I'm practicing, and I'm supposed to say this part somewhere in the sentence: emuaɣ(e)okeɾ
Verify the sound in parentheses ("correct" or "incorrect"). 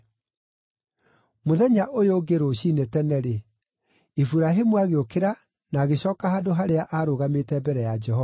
correct